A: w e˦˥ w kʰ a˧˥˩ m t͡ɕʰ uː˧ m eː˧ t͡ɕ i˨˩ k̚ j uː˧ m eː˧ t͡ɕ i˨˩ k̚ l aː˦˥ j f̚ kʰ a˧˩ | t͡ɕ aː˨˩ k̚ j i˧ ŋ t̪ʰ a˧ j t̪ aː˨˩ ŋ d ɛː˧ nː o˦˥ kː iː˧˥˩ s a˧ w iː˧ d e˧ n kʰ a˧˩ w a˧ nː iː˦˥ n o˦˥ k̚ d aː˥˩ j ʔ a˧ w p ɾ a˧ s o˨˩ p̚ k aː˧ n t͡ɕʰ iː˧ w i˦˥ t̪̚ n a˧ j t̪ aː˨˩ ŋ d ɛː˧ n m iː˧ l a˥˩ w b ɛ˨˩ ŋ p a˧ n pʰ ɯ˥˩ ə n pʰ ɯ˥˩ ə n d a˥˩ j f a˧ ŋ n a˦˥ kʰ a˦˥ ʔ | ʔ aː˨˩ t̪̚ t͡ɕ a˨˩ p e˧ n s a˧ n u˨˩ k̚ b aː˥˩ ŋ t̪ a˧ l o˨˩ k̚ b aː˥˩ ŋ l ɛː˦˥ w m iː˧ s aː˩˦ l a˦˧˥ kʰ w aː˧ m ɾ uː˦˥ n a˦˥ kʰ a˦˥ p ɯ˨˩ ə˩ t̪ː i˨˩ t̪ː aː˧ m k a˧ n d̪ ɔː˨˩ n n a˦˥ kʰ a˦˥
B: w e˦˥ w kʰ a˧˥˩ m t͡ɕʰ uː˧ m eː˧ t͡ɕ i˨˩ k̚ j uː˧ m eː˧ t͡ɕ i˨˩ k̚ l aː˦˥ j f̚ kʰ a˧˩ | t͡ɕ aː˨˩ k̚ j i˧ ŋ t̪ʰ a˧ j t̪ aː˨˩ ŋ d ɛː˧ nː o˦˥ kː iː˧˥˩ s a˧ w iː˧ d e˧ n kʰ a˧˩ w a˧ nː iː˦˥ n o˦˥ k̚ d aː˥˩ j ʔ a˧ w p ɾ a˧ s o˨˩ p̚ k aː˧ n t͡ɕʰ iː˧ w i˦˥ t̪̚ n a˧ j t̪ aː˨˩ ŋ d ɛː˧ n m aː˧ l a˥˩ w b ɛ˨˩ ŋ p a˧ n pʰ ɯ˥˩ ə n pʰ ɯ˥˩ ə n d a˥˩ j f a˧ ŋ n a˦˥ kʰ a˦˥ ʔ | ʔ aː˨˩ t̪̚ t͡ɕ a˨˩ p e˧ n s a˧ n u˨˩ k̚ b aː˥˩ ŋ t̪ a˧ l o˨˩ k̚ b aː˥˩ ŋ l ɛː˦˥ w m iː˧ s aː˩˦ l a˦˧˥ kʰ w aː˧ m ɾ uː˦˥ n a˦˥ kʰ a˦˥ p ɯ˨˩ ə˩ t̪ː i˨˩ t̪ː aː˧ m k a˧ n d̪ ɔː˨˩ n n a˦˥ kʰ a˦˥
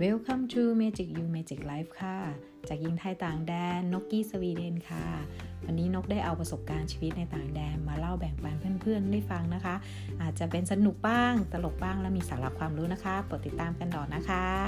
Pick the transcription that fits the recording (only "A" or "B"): B